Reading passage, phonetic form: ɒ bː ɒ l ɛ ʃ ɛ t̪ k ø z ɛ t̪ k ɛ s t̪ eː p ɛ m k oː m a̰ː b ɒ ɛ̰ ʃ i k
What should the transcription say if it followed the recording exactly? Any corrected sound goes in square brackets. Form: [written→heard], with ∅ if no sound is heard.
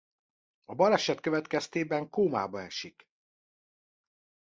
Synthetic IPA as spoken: ɒ [bː→b] ɒ l ɛ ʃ ɛ t̪ k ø [z→v] ɛ t̪ k ɛ s t̪ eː [p→b] ɛ [m→ŋ] k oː m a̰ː b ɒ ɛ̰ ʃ i k